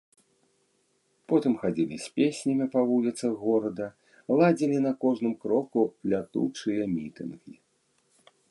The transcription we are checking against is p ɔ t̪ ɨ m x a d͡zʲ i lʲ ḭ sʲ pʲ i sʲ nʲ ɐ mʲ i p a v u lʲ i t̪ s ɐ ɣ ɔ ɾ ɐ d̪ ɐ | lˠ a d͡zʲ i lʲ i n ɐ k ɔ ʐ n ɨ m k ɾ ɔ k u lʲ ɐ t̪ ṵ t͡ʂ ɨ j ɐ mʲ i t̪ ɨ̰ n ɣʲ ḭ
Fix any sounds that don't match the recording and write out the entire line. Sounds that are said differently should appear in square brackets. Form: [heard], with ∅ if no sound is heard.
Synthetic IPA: p ɔ t̪ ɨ m x a d͡zʲ i lʲ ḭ sʲ pʲ [e] sʲ nʲ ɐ mʲ i p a v u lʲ i t̪ s ɐ ɣ ɔ ɾ ɐ d̪ ɐ | lˠ a d͡zʲ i lʲ i n ɐ k ɔ ʐ n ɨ m k ɾ ɔ k u lʲ [a] t̪ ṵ t͡ʂ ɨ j ɐ mʲ i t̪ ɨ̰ n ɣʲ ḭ